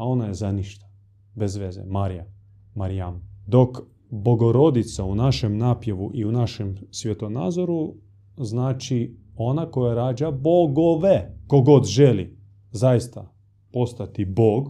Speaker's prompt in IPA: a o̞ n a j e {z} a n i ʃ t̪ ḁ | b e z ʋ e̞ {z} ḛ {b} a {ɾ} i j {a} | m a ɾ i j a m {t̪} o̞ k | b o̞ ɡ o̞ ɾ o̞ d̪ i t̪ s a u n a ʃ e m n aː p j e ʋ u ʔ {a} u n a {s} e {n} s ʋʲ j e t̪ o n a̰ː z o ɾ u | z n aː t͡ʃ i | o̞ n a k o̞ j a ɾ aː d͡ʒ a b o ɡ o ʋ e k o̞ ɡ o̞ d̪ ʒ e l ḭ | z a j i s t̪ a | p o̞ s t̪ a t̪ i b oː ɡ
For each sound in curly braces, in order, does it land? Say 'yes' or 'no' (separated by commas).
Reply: yes, yes, no, yes, yes, no, no, no, no